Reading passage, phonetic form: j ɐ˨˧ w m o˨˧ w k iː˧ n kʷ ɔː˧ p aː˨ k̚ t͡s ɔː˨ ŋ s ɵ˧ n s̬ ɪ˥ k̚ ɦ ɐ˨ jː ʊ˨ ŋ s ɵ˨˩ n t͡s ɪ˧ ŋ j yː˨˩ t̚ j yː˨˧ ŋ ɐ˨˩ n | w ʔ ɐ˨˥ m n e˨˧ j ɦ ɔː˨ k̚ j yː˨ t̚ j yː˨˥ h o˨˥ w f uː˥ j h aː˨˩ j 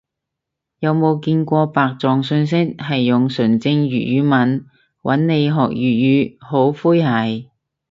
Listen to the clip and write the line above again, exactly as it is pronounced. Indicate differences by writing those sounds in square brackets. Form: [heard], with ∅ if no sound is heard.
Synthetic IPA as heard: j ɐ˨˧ w m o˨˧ w k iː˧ n kʷ ɔː˧ p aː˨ k̚ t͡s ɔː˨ ŋ s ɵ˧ n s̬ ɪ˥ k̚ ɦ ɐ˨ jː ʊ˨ ŋ s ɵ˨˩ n t͡s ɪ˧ ŋ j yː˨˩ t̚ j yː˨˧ [m] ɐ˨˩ n | w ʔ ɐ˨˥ [n] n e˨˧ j ɦ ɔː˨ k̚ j yː˨ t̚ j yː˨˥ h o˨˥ w f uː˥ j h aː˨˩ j

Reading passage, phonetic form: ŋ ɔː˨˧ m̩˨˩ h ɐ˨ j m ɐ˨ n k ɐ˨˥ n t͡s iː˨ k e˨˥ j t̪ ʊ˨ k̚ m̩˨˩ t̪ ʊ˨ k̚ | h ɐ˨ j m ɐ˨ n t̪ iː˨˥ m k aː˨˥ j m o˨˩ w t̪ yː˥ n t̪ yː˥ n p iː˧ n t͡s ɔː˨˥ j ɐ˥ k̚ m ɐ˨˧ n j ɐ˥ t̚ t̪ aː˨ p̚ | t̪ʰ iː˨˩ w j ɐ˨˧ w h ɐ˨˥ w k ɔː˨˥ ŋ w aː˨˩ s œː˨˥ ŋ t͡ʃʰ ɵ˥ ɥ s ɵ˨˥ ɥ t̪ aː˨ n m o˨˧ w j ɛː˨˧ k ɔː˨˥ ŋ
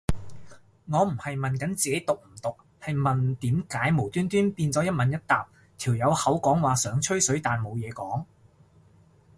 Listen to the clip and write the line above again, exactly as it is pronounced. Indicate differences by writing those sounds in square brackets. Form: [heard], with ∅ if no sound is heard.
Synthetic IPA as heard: ŋ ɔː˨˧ m̩˨˩ h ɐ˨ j m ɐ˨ n k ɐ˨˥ n t͡s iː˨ k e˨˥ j t̪ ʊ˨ k̚ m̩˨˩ t̪ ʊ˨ k̚ | h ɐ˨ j m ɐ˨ n t̪ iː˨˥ m k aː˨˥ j m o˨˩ w t̪ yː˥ n t̪ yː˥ n p iː˧ n t͡s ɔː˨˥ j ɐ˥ [t̚] m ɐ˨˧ n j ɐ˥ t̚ t̪ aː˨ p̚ | t̪ʰ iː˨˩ w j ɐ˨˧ w h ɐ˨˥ w k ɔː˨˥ ŋ w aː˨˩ s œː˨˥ ŋ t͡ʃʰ ɵ˥ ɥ s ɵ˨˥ ɥ t̪ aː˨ n m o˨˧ w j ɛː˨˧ k ɔː˨˥ ŋ

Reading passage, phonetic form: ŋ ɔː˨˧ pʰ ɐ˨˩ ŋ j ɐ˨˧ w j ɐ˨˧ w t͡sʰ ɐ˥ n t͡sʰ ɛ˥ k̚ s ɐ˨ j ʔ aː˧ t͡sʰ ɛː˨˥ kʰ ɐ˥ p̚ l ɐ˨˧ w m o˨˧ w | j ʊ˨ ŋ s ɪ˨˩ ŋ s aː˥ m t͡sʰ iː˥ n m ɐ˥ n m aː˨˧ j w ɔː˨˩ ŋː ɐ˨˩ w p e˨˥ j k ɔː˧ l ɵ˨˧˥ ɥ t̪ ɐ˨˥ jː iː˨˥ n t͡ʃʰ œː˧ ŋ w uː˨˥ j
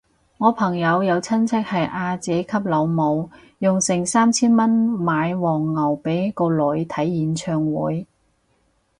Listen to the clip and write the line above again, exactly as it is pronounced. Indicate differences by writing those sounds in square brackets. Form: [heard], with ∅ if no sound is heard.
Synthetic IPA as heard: ŋ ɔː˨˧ pʰ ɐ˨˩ ŋ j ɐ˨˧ w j ɐ˨˧ w t͡sʰ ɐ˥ n t͡sʰ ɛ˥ k̚ [h] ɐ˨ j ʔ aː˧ [t͡s] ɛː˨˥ kʰ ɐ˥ p̚ l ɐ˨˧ w m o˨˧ w | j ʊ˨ ŋ s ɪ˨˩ ŋ s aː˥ m t͡sʰ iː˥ n m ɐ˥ n m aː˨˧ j w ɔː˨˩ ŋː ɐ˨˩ w p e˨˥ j k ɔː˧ l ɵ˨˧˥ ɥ [t̪ʰ] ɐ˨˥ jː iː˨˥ n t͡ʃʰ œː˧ ŋ w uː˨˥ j

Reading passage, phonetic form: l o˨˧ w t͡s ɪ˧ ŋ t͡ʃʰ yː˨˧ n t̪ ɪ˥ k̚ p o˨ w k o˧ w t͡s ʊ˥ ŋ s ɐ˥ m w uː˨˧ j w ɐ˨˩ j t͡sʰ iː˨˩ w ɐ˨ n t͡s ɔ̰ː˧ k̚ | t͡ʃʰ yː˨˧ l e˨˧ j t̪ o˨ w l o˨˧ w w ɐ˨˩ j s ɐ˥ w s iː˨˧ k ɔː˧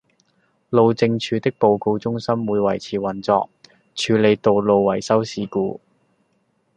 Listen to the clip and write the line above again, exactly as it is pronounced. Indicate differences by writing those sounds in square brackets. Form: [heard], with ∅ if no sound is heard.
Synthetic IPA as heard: l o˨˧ w t͡s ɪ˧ ŋ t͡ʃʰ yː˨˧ [∅] t̪ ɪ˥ k̚ p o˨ w k o˧ w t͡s ʊ˥ ŋ s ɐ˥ m w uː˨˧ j w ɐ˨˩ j t͡sʰ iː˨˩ w ɐ˨ n t͡s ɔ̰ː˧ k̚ | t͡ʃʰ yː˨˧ l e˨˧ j t̪ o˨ w l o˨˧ w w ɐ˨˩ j s ɐ˥ w s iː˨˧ k [uː˧]

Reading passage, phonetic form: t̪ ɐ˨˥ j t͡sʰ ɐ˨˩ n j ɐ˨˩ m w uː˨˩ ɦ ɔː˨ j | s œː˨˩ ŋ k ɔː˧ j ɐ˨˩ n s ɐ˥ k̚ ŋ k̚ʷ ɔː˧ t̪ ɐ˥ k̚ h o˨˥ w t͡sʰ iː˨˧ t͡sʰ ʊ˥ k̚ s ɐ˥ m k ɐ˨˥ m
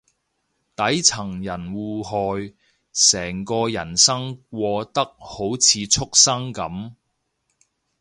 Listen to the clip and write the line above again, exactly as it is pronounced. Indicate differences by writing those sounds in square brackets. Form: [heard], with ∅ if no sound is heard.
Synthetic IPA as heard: t̪ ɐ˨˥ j t͡sʰ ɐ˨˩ [ŋ] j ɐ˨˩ [n] w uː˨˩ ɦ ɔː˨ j | s [ɛː˨˩] ŋ k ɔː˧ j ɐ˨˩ n s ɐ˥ [∅] ŋ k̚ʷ ɔː˧ t̪ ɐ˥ k̚ h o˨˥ w t͡sʰ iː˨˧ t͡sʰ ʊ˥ k̚ s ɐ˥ [ŋ] k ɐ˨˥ m

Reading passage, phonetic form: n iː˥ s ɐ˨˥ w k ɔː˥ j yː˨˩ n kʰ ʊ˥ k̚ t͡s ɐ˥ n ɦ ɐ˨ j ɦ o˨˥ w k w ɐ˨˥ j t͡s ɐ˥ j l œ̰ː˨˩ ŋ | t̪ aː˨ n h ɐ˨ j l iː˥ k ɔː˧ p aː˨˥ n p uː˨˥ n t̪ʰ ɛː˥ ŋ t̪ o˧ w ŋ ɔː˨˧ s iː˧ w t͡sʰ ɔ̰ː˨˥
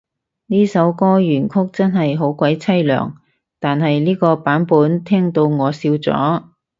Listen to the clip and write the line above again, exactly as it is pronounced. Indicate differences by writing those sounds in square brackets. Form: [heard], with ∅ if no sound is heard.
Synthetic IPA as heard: n iː˥ s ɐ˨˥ w k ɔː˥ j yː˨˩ n kʰ ʊ˥ k̚ t͡s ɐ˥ n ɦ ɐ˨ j ɦ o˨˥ w k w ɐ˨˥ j [t͡sʰ] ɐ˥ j l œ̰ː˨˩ ŋ | t̪ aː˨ n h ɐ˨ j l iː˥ k ɔː˧ p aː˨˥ n p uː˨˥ n t̪ʰ ɛː˥ ŋ t̪ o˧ w ŋ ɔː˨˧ s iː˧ w [t͡s] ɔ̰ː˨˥

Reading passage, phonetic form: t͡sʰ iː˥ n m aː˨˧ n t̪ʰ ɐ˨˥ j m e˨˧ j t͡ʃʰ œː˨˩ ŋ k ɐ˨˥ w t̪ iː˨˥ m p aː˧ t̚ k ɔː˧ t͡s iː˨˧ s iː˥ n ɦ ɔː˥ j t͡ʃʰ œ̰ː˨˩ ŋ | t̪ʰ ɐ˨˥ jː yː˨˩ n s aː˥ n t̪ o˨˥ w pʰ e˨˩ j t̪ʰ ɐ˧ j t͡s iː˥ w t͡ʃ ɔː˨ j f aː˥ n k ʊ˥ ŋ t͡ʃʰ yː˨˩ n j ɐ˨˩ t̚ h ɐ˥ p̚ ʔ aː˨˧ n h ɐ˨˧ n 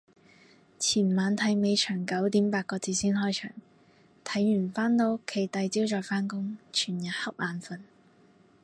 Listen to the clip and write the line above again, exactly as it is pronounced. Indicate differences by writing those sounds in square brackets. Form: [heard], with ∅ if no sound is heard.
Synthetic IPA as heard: t͡sʰ [iː˨˩] n m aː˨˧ n t̪ʰ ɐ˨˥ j m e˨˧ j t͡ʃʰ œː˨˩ ŋ k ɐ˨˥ w t̪ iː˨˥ m p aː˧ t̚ k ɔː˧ t͡s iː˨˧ s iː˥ n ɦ ɔː˥ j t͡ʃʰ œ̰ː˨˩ ŋ | t̪ʰ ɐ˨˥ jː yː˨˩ n [f] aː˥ n t̪ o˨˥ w [kʰ] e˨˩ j [t̪] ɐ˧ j t͡s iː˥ w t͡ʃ ɔː˨ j f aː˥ n k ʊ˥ ŋ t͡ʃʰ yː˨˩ n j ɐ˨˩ t̚ h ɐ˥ p̚ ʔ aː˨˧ n [f] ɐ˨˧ n

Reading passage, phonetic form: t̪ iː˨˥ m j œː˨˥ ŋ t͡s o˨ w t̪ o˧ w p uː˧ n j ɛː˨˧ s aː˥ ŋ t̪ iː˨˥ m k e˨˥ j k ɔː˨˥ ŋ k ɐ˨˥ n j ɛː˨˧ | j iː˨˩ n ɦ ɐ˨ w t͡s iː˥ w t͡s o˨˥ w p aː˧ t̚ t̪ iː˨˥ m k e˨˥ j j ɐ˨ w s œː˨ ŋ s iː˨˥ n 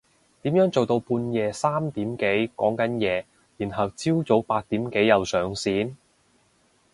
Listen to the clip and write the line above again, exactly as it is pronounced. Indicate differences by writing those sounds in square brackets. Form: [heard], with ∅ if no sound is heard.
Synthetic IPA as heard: t̪ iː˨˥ m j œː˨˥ ŋ t͡s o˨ w t̪ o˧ w p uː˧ n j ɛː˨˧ s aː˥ [m] t̪ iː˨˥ m k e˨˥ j k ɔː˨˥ ŋ k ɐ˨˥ n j ɛː˨˧ | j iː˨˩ n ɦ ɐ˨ w t͡s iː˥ w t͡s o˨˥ w p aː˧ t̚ t̪ iː˨˥ m k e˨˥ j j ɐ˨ w s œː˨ ŋ s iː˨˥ n

